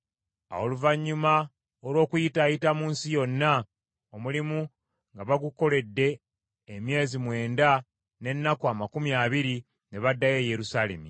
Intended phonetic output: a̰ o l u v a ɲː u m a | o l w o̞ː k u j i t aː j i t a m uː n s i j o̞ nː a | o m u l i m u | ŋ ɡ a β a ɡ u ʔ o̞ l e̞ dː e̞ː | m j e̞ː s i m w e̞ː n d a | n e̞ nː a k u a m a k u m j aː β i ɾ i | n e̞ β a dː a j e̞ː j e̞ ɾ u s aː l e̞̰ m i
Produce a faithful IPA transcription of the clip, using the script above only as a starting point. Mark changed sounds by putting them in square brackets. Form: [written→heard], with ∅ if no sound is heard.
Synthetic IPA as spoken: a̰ o l u v a ɲː u m a | o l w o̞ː k u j i t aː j i t a m uː n s i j o̞ nː a | o m u l i m u | ŋ ɡ a β a ɡ u [ʔ→k] o̞ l e̞ dː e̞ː | m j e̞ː [s→z] i m w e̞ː n d a | n e̞ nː a k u a m a k u m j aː β i ɾ i | n e̞ β a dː a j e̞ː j e̞ ɾ u s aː l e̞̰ m i